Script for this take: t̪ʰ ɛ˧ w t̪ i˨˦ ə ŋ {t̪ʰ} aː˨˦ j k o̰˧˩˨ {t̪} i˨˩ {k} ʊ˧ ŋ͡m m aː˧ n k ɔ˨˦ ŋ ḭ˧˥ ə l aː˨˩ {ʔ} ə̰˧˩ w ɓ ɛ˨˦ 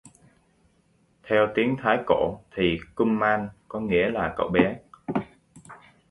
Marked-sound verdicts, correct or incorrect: correct, incorrect: t̪ʰ, correct, incorrect: k

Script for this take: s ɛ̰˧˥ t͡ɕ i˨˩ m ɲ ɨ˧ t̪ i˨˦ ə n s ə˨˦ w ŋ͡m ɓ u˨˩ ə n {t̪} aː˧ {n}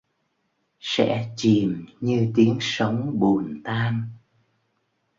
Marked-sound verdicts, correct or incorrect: correct, correct

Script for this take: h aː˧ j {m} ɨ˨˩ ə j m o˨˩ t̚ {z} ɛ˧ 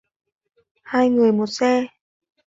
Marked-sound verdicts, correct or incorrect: incorrect: ŋ, incorrect: s

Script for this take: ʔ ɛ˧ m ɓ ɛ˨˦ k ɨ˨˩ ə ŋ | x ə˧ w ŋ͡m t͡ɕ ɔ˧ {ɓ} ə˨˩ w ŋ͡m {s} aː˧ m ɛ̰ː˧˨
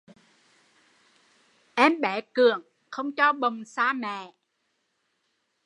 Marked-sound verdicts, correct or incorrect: correct, correct

